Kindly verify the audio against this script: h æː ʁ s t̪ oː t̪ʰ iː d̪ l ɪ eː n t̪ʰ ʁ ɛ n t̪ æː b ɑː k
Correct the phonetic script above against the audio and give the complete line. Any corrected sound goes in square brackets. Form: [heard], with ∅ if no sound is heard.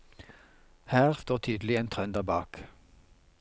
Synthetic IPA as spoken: h æː ʁ s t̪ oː t̪ʰ [yː] d̪ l ɪ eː n t̪ʰ ʁ [œ] n [d̪] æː b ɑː k